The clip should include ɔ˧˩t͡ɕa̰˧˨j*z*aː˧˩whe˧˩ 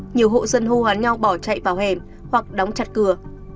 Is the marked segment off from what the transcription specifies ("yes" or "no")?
yes